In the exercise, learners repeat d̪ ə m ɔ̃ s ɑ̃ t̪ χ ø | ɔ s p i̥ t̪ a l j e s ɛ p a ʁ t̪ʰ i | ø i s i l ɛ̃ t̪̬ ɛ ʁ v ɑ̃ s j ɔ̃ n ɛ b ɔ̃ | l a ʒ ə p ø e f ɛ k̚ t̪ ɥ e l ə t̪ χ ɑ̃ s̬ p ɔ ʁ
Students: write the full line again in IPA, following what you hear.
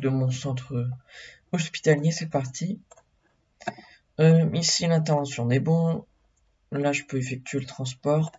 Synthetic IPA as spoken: d̪ ə m ɔ̃ s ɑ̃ t̪ χ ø | ɔ s p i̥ t̪ a l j e s ɛ p a ʁ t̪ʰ i | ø i s i l ɛ̃ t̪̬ ɛ ʁ v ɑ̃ s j ɔ̃ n ɛ b ɔ̃ | l a ʒ ə p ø e f ɛ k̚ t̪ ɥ e l ə t̪ χ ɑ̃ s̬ p ɔ ʁ